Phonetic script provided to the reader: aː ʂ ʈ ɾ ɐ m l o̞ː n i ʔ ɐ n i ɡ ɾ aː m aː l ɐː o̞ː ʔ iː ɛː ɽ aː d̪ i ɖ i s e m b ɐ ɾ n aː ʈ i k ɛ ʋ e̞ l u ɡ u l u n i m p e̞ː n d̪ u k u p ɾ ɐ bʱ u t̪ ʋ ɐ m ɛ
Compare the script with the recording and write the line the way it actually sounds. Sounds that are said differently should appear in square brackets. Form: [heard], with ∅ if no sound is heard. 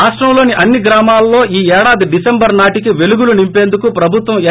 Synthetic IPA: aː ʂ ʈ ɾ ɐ m l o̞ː n i ʔ ɐ [nː] i ɡ ɾ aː m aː l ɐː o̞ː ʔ iː ɛː ɽ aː d̪ i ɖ i s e m b ɐ ɾ n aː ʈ i k [i] ʋ e̞ l u ɡ u l u n i m p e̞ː n d̪ u k u p ɾ ɐ bʱ u t̪ ʋ ɐ m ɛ